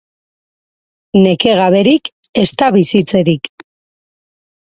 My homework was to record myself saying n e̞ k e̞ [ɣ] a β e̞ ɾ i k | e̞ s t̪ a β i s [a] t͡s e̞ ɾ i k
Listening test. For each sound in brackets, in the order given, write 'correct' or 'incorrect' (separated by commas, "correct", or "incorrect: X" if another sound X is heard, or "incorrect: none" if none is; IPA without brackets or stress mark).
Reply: correct, incorrect: i